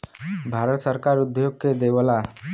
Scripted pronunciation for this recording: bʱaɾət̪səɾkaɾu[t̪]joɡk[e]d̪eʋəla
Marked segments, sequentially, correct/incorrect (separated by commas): incorrect, correct